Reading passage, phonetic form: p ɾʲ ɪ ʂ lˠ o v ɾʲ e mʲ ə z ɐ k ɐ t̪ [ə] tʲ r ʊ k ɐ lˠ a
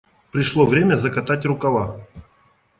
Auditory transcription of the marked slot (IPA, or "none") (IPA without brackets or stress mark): a